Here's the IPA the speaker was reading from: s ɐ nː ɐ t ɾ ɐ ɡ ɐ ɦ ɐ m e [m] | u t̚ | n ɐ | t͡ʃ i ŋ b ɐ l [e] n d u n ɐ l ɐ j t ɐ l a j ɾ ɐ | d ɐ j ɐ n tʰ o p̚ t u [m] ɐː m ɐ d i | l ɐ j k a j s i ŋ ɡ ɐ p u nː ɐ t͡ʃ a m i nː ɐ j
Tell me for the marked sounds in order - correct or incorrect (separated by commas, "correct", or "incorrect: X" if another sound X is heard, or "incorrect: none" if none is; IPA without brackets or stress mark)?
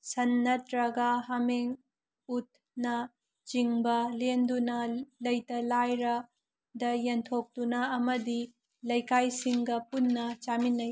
incorrect: ŋ, correct, incorrect: n